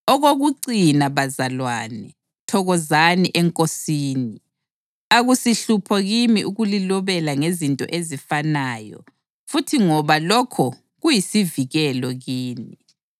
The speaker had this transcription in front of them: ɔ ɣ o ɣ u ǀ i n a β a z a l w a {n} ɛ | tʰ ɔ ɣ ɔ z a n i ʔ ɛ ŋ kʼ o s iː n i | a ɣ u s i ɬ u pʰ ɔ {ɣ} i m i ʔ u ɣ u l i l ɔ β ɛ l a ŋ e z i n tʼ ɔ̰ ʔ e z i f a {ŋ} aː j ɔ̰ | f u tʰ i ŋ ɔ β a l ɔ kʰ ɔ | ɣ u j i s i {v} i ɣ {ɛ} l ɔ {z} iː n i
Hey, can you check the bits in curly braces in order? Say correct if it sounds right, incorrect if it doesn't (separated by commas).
correct, correct, incorrect, correct, correct, incorrect